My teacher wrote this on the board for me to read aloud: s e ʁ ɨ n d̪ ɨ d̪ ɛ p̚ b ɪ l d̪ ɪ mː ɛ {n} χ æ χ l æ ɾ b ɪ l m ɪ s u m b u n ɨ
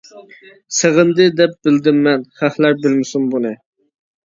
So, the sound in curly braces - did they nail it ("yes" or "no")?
yes